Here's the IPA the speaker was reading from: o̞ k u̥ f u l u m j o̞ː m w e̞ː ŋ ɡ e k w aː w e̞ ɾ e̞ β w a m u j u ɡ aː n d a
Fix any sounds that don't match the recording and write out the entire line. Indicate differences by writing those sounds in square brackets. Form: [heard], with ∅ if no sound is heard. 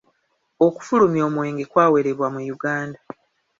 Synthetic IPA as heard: o̞ k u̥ f u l u m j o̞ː m w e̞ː ŋ ɡ e k w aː w e̞ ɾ e̞ β w a m u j u ɡ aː n d a